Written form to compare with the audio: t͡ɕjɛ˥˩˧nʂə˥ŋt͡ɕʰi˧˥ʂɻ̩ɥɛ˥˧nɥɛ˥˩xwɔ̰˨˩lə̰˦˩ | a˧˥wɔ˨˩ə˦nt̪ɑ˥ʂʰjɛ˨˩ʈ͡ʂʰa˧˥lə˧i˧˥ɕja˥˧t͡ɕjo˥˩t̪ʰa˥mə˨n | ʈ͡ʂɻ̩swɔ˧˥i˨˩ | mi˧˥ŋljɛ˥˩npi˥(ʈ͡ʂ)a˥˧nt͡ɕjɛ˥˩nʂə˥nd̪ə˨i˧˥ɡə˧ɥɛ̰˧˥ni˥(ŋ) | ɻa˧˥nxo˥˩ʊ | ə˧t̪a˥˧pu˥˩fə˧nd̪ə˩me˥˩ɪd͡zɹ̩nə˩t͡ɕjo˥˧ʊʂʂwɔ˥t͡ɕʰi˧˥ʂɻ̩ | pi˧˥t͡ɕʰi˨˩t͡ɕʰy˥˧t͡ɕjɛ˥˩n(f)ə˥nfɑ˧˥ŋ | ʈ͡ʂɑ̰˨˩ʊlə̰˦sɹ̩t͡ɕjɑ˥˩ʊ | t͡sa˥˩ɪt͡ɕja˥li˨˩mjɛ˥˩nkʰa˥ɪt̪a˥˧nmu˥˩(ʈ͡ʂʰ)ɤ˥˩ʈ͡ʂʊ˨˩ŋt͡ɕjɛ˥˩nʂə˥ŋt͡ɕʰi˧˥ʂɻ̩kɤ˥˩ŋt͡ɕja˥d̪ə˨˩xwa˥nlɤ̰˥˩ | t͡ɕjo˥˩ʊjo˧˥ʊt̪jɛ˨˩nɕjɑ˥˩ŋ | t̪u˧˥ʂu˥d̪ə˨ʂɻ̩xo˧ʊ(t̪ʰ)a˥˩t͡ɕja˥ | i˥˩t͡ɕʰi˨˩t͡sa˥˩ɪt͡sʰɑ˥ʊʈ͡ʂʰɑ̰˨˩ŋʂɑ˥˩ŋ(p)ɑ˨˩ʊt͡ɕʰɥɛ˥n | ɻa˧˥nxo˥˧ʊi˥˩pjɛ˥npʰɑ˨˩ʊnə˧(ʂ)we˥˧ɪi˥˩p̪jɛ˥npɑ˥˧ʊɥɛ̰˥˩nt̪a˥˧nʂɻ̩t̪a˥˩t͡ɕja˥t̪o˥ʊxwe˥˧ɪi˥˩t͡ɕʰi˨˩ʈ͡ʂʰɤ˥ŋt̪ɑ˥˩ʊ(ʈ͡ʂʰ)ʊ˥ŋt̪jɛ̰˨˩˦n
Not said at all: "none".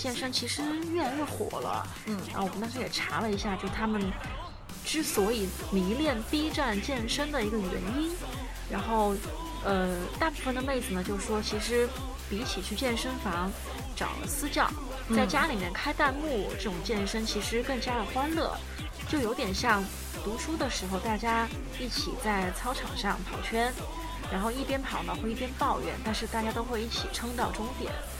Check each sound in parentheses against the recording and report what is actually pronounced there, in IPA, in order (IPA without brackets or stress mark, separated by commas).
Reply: ʈ͡ʂ, n, ʂ, ʈ͡ʂ, t̪, pʰ, x, ʈ͡ʂ